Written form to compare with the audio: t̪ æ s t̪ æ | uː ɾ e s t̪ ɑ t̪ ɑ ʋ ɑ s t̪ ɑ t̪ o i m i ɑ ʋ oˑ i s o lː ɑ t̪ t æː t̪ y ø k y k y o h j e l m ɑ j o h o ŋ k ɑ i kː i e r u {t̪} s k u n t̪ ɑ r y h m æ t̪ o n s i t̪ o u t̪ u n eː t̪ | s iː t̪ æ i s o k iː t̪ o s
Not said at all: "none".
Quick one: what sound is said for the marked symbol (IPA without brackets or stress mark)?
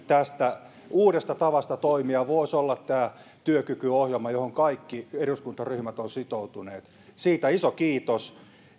none